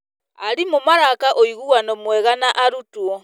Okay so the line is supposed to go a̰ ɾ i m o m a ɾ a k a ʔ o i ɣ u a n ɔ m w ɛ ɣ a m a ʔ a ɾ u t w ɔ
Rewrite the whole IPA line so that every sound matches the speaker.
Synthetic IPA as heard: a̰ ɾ i m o m a ɾ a k a ʔ o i ɣ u a n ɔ m w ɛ ɣ a n a ʔ a ɾ u t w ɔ

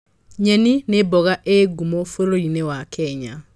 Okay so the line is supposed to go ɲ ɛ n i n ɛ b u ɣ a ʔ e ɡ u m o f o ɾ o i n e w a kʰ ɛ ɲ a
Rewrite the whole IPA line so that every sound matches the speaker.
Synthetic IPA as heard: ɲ ɛ n i n e b ɔ ɣ a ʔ e ɡ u m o f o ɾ o i n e w a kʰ ɛ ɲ a

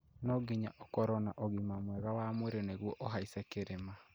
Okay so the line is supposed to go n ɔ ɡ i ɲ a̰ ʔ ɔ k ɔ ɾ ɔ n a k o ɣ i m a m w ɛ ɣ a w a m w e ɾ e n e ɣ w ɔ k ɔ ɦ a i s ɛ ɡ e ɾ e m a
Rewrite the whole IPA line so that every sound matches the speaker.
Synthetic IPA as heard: n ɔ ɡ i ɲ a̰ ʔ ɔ k ɔ ɾ ɔ n a ʔ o ɣ i m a m w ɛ ɣ a w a m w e ɾ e n e ɣ w ɔ ʔ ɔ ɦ a i s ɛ k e ɾ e m a

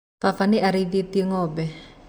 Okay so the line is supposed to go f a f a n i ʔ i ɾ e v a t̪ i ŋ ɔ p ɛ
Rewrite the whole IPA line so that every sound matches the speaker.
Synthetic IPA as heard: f a f a n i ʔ a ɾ i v i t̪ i ŋ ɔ b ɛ

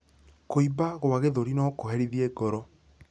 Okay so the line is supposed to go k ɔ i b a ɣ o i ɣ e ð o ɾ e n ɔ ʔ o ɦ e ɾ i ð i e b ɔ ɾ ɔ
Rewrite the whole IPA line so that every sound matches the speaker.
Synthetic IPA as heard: k o i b a ɣ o a ɣ e ð o ɾ i n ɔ k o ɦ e ɾ i ð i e ɡ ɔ ɾ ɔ

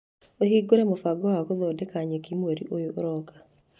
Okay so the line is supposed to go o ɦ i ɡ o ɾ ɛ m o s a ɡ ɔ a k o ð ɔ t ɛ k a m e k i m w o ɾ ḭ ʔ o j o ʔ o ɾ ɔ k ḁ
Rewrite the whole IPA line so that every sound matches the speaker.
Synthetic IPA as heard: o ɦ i ɡ o ɾ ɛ m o f a ɡ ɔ a k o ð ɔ d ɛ k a ɲ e k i m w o ɾ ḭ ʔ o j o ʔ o ɾ ɔ k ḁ

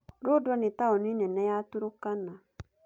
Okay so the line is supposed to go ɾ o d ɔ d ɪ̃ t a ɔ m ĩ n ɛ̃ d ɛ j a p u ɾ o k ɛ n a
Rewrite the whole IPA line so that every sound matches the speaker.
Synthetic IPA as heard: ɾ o d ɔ n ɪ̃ t a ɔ n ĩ n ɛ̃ n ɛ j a t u ɾ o k a n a

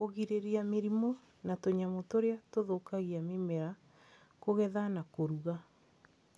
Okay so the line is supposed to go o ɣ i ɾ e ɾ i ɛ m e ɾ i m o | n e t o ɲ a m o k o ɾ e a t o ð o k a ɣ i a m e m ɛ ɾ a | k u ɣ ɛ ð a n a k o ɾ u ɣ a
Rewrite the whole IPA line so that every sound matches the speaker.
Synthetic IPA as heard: o ɣ i ɾ e ɾ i a m e ɾ i m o | n a t o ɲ a m o t o ɾ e a t o ð o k a ɣ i a m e m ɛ ɾ a | k o ɣ ɛ ð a n a k o ɾ u ɣ a

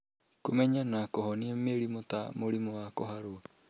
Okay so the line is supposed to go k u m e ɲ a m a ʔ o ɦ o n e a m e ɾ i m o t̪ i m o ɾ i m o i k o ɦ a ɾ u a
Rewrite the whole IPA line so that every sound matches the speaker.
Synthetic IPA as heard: k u m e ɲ a n a k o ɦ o n i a m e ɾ i m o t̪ a m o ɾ i m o a k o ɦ a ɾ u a

